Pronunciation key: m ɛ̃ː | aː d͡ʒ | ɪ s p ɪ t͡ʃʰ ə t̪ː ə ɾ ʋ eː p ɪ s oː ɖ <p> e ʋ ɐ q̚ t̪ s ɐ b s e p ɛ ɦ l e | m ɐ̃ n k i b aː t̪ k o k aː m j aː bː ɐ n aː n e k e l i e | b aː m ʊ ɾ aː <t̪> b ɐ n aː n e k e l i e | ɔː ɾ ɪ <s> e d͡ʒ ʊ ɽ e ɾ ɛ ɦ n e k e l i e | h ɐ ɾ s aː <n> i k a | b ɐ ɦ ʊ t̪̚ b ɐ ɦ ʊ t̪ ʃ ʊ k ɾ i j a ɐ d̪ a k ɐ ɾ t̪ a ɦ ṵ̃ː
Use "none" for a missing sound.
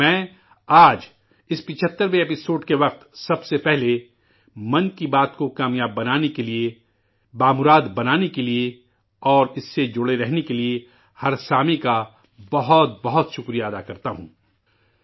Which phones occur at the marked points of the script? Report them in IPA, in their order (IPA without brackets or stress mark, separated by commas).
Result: k, d̪, sː, m